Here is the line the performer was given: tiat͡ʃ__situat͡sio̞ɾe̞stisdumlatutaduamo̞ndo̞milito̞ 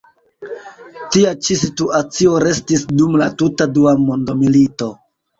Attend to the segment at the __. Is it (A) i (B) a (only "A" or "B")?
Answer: A